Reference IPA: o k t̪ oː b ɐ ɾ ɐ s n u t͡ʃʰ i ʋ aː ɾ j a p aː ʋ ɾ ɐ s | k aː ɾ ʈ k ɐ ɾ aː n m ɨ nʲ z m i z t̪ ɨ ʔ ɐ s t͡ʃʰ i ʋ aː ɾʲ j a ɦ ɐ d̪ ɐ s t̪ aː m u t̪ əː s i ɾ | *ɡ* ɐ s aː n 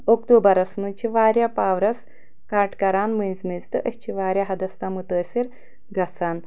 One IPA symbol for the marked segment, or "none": ɡ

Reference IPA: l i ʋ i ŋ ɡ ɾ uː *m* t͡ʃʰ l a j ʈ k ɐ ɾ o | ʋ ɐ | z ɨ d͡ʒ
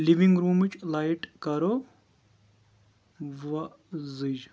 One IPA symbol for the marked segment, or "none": m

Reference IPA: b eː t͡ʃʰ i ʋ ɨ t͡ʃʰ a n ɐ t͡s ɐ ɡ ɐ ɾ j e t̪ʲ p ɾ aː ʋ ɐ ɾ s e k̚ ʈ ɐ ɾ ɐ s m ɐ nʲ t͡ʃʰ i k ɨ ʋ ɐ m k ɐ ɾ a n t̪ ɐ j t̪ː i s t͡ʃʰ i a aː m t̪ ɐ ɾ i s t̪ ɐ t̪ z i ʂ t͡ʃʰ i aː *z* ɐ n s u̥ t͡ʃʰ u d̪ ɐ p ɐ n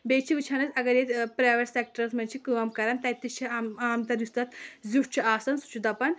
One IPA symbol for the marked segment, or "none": s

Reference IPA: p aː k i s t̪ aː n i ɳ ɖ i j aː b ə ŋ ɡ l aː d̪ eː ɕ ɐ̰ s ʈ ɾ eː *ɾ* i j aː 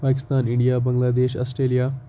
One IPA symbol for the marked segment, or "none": l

